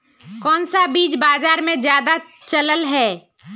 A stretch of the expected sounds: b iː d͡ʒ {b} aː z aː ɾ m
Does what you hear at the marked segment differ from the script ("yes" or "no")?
no